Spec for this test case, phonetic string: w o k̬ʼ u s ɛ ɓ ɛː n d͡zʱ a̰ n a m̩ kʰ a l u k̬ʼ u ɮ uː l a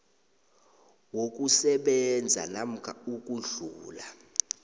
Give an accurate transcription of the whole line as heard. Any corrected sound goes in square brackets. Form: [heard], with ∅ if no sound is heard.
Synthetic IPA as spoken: w o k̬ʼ u s ɛ ɓ [ɛ] n d͡zʱ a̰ n a m̩ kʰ a [∅] u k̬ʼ u ɮ uː l a

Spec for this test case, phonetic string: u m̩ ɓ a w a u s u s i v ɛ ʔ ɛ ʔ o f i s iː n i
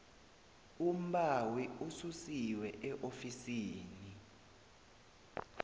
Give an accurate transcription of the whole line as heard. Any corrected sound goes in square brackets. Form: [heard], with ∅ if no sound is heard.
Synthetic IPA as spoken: u m̩ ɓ a w [i] u s u s i [w] ɛ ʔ ɛ ʔ o f i s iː n i

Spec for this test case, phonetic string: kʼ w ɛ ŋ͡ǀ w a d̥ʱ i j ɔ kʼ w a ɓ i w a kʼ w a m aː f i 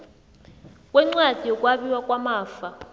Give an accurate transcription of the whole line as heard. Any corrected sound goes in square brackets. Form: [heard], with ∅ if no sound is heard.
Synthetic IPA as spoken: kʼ w ɛ ŋ͡ǀ w a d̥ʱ i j ɔ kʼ w a ɓ i w a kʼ w a m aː f [a]

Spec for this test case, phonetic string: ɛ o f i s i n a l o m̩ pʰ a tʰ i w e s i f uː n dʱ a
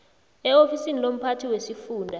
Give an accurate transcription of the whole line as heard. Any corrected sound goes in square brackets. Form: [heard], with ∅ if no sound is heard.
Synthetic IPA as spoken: ɛ o f i s i n [i] l o m̩ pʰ a tʰ i w e s i f uː n dʱ a

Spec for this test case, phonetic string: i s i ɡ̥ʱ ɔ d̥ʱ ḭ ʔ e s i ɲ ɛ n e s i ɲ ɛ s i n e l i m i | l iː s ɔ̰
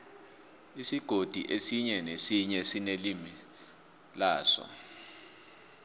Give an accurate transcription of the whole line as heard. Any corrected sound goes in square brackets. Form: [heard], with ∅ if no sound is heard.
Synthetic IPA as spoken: i s i ɡ̥ʱ [o] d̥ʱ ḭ ʔ e s i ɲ ɛ n e s i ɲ ɛ s i n e l i m i | l [aː] s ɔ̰

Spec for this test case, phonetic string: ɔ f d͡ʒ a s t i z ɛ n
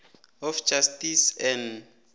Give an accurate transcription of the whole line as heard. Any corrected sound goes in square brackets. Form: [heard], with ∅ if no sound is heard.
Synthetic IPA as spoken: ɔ f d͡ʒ a s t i [s] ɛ n

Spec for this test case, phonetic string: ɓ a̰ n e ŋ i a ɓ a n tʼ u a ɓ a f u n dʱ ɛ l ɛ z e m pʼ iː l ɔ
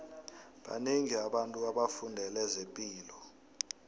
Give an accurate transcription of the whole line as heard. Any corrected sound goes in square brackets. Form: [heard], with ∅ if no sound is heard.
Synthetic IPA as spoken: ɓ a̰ n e ŋ i a ɓ a n tʼ u a ɓ a f u n dʱ ɛ l ɛ z e m pʼ iː l ɔ

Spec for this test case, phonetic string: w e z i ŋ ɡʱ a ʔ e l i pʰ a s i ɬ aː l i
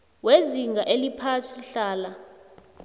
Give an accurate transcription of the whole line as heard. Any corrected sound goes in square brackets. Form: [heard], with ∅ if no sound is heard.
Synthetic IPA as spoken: w e z i ŋ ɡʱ a ʔ e l i pʰ a s i ɬ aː l [a]

